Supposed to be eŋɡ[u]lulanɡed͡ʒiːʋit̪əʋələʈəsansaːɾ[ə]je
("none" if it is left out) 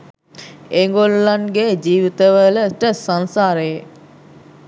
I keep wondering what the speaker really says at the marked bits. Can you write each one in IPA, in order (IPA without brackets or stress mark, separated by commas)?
o, ə